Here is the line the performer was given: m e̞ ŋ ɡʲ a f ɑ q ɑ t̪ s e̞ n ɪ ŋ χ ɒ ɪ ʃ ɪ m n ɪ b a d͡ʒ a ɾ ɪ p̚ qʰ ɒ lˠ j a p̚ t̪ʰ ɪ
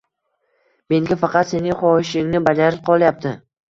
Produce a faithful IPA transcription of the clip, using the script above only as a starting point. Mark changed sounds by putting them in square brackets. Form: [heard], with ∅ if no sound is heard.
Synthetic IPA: m e̞ ŋ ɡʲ a f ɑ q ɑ t̪ s e̞ n ɪ ŋ χ ɒ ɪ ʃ ɪ [ŋ] n ɪ b a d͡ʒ a ɾ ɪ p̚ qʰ ɒ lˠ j a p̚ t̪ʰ ɪ